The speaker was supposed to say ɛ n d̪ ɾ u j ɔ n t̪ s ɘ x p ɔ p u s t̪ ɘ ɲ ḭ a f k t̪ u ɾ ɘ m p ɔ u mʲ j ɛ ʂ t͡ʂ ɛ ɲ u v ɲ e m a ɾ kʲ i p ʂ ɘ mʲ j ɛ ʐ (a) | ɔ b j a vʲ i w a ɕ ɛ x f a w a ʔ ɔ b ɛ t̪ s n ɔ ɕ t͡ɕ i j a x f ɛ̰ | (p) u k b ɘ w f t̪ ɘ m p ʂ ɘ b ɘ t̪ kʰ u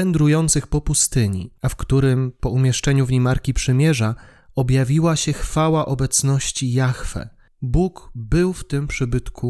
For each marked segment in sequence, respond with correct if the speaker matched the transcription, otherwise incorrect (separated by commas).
correct, incorrect